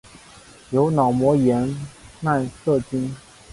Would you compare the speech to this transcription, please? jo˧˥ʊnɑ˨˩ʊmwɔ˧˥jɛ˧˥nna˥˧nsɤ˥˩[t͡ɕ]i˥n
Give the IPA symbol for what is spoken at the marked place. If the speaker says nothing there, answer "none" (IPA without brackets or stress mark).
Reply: t͡ɕ